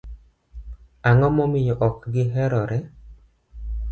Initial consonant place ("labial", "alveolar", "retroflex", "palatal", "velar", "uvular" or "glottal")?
velar